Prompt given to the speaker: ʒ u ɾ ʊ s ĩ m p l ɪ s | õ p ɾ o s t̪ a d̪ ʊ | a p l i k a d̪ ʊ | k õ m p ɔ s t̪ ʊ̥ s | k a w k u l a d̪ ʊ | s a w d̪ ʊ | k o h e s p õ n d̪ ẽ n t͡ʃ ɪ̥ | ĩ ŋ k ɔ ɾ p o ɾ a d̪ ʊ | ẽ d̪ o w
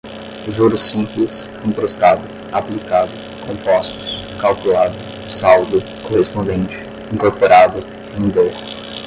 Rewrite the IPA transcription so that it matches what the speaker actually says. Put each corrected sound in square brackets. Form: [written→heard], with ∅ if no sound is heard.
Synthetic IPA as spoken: ʒ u ɾ ʊ s ĩ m p l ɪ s | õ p ɾ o s t̪ a d̪ ʊ | a p l i k a d̪ ʊ | k õ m p ɔ s t̪ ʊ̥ s | k a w k u l a d̪ ʊ | s a w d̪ ʊ | k o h e s p õ n d̪ ẽ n t͡ʃ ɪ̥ | ĩ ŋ k [ɔ→o] ɾ p o ɾ a d̪ ʊ | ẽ d̪ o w

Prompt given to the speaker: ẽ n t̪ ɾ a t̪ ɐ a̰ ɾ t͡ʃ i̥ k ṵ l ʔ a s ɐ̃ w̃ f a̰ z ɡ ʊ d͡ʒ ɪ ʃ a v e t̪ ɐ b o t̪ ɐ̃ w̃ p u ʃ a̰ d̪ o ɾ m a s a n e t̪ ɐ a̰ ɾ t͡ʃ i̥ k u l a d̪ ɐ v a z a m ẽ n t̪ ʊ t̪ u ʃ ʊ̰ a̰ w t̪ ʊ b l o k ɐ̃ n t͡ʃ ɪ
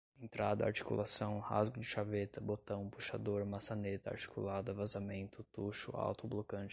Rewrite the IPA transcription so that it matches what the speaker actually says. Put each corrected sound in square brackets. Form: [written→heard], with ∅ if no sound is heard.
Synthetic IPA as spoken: ẽ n t̪ ɾ a [t̪→d̪] ɐ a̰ ɾ t͡ʃ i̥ k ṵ l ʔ a s ɐ̃ w̃ [f→h] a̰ z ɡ ʊ d͡ʒ ɪ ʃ a v e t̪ ɐ b o t̪ ɐ̃ w̃ p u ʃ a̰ d̪ o ɾ m a s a n e t̪ ɐ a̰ ɾ t͡ʃ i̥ k u l a d̪ ɐ v a z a m ẽ n t̪ ʊ t̪ u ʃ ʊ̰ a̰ w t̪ ʊ b l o k ɐ̃ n t͡ʃ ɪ

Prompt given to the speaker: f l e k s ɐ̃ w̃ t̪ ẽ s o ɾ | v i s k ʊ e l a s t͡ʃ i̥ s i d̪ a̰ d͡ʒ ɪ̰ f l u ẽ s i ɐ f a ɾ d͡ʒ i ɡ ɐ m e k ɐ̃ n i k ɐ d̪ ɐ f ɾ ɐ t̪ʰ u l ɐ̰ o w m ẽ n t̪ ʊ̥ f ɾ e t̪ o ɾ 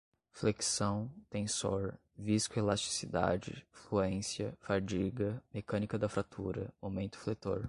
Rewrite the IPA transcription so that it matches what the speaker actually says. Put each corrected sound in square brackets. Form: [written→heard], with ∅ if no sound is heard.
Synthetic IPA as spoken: f l e k s ɐ̃ w̃ t̪ ẽ s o ɾ | v i s k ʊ e l a s t͡ʃ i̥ s i d̪ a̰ d͡ʒ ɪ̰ f l u ẽ s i ɐ f a ɾ d͡ʒ i ɡ ɐ m e k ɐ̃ n i k ɐ d̪ ɐ f ɾ [ɐ→a] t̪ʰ u [l→ɾ] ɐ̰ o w m ẽ n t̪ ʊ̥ f [ɾ→l] e t̪ o ɾ

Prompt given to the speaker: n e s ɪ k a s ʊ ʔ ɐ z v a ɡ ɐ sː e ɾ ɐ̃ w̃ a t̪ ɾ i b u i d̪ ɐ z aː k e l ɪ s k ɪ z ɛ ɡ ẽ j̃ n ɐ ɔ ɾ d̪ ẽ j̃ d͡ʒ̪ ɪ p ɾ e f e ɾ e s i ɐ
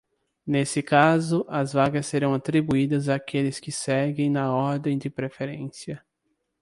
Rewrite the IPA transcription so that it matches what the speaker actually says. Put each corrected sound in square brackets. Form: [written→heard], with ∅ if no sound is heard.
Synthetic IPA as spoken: n e s ɪ k a [s→z] ʊ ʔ ɐ z v a ɡ ɐ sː e ɾ ɐ̃ w̃ a t̪ ɾ i b u i d̪ ɐ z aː k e l ɪ s k ɪ [z→s] ɛ ɡ ẽ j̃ n ɐ ɔ ɾ d̪ ẽ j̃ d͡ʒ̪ ɪ p ɾ e f e ɾ [e→ẽ] s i ɐ

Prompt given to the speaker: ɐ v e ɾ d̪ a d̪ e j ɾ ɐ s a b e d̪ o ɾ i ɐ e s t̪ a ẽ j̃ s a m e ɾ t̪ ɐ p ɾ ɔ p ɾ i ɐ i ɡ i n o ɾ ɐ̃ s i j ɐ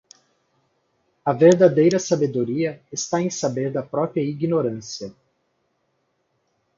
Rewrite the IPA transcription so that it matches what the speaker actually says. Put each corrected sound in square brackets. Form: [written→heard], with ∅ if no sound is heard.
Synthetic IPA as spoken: ɐ v e ɾ d̪ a d̪ e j ɾ ɐ s a b e d̪ o ɾ i ɐ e s t̪ a ẽ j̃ s a [m→b] e ɾ [t̪→d̪] ɐ p ɾ ɔ p ɾ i ɐ i ɡ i n o ɾ ɐ̃ s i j ɐ

